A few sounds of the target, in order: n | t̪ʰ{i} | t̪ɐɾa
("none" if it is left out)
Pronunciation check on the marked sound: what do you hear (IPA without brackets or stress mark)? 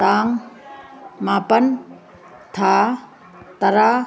a